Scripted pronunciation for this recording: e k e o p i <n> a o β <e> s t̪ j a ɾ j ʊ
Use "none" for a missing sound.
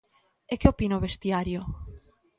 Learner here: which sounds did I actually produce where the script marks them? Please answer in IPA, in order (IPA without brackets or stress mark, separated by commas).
n, e